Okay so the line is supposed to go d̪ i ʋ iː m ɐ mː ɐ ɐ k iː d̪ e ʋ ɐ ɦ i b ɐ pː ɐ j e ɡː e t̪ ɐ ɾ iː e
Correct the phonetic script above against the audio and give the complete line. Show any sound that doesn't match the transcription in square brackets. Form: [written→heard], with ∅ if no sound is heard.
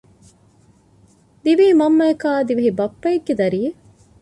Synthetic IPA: d̪ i ʋ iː m ɐ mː ɐ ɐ k [iː→aː] d̪ [e→i] ʋ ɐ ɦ i b ɐ pː ɐ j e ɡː e [t̪→d̪] ɐ ɾ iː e